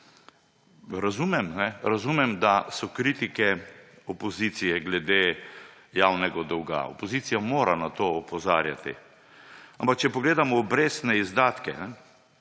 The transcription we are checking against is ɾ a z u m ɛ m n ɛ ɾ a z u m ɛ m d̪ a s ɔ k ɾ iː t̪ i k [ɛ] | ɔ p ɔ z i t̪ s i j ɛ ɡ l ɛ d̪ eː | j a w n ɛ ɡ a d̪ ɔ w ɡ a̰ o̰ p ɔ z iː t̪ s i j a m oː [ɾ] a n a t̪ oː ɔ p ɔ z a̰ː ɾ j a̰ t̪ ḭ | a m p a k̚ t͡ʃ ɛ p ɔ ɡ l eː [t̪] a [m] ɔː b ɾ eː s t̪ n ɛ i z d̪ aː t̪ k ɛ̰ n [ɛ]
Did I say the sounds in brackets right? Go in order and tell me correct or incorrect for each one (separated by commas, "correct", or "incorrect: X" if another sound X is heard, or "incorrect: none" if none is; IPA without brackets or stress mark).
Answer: correct, correct, incorrect: d̪, correct, correct